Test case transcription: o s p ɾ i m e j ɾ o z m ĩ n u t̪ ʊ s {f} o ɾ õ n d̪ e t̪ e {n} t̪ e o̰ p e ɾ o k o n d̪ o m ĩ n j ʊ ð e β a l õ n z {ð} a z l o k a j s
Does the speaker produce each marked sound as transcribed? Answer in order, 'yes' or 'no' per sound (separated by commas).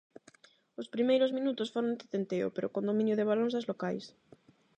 yes, yes, yes